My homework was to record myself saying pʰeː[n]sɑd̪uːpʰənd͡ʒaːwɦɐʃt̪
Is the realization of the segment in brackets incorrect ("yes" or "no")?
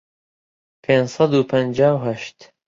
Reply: no